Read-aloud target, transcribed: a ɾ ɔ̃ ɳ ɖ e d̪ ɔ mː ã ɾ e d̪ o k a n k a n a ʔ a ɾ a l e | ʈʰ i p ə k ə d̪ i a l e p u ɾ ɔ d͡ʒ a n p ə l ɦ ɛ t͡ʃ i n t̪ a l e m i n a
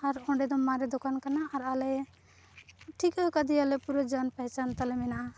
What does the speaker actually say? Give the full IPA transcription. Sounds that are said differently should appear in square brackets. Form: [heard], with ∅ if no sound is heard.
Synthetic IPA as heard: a ɾ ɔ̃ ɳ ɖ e d̪ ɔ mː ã ɾ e d̪ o k a n k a n a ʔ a ɾ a l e | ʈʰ i [k] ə k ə d̪ i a l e p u ɾ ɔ d͡ʒ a n p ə [∅] ɦ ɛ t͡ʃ [a] n t̪ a l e m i n a